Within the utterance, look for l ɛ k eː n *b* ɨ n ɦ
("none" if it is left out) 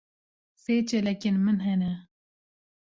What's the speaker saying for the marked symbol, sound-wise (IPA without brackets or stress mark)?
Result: m